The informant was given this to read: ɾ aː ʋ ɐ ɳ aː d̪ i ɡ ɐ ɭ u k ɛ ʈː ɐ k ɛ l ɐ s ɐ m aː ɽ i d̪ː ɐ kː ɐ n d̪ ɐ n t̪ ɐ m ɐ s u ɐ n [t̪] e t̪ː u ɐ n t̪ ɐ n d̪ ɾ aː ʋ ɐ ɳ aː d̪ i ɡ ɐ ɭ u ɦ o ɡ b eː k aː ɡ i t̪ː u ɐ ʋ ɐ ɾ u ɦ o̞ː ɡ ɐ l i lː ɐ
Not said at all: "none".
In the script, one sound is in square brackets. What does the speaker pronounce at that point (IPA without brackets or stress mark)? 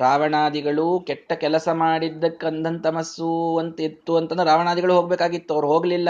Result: t̪